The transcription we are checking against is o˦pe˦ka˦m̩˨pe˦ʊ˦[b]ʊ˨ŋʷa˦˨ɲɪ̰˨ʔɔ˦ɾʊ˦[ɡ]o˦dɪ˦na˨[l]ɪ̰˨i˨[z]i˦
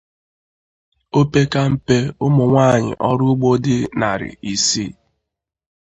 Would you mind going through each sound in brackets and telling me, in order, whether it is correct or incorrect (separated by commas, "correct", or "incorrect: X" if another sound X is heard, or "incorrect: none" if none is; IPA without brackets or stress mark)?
incorrect: m, incorrect: ɡ͡b, incorrect: ɾ, incorrect: s